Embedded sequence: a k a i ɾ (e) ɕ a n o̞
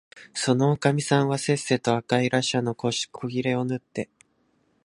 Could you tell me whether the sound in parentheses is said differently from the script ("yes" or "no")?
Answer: yes